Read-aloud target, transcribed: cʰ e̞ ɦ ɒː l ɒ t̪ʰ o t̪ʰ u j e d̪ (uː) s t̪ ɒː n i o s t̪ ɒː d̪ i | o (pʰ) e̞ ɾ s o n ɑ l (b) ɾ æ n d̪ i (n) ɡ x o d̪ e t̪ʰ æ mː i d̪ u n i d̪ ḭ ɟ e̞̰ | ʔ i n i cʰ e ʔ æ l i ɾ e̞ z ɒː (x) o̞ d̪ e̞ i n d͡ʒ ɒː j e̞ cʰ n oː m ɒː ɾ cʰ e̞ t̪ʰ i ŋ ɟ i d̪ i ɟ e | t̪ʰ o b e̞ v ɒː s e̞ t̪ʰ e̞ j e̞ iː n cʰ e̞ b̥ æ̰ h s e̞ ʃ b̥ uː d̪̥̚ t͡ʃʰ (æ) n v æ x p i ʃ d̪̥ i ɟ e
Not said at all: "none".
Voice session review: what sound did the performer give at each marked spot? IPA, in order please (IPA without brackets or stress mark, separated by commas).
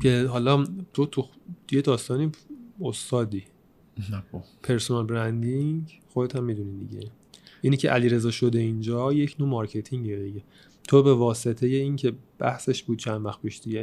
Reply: ɒː, pʰ, b, ŋ, ʃ, æ